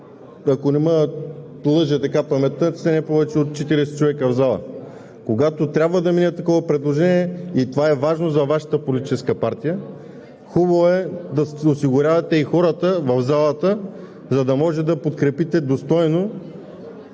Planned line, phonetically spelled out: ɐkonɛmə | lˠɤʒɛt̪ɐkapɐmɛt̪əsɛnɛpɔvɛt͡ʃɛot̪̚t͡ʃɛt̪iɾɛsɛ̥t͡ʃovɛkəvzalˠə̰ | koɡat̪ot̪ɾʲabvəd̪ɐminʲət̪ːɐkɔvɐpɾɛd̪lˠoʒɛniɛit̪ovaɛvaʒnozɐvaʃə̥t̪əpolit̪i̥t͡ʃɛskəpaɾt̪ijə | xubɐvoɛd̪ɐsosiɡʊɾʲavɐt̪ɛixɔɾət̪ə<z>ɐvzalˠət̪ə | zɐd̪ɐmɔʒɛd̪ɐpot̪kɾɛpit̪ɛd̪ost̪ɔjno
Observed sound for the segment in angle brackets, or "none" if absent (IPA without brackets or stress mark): v